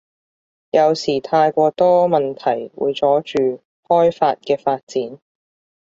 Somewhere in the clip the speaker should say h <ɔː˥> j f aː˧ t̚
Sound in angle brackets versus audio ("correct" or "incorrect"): correct